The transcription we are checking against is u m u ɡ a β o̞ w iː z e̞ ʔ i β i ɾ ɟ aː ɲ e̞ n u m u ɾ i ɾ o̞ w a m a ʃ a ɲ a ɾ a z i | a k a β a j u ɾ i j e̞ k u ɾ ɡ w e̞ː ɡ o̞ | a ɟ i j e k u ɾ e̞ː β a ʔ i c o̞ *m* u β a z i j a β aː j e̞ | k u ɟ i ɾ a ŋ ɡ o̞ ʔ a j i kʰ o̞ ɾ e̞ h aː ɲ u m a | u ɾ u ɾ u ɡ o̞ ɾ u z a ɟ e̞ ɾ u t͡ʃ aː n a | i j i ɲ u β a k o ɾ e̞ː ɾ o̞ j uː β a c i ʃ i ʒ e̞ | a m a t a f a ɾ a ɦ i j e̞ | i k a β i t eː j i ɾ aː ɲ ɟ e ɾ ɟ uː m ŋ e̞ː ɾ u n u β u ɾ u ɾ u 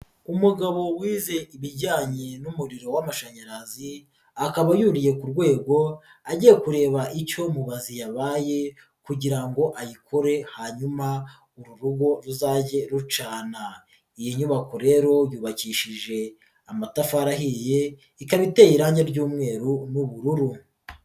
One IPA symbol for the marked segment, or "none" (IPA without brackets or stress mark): m